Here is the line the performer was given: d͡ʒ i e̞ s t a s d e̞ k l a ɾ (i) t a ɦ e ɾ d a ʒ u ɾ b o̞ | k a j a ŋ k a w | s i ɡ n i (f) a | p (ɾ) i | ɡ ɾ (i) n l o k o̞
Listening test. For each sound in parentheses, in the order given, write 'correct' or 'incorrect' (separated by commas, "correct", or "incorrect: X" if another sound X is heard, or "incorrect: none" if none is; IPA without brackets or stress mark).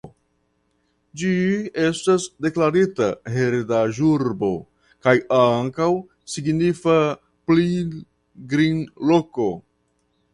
correct, correct, incorrect: l, correct